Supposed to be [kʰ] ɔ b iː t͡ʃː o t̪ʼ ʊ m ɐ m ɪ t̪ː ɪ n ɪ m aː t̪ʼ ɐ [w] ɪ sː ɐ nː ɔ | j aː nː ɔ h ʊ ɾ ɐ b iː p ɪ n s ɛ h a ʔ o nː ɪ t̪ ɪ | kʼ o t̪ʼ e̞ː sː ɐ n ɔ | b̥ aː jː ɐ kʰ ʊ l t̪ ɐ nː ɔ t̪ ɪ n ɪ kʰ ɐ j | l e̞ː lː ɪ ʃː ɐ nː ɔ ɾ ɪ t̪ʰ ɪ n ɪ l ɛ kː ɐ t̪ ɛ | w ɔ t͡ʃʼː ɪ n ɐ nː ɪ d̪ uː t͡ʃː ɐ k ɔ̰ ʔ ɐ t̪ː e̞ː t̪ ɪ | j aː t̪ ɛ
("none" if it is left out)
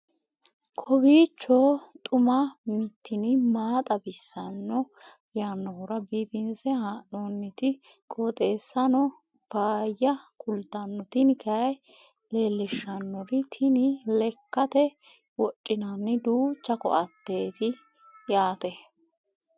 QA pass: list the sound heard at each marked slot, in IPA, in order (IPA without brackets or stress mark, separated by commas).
kʰ, b